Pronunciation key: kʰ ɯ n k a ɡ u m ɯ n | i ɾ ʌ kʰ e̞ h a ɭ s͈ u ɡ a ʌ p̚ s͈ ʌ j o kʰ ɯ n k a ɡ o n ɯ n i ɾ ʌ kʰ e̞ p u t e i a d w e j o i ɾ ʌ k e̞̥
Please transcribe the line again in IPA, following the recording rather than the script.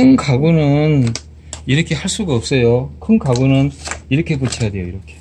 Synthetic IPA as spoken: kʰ ɯ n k a ɡ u n ɯ n | i ɾ ʌ kʰ e̞ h a ɭ s͈ u ɡ a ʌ p̚ s͈ ʌ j o kʰ ɯ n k a ɡ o n ɯ n i ɾ ʌ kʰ e̞ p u t͡ɕʰ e j a d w e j o i ɾ ʌ kʰ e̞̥